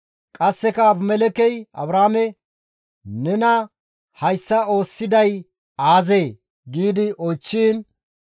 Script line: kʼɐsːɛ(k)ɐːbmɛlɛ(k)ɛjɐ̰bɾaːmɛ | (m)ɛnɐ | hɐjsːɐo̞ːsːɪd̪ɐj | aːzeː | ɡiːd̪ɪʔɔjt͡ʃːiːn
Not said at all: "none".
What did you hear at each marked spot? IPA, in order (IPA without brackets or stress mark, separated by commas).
k, k, n